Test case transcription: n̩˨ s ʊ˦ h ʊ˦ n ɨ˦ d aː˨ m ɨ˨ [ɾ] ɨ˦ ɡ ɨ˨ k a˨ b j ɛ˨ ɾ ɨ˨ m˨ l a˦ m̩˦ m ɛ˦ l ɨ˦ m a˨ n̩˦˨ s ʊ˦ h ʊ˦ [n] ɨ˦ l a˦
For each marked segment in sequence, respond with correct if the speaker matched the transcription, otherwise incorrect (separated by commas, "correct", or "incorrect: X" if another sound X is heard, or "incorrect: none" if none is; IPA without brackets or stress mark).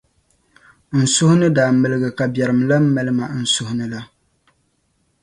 incorrect: l, correct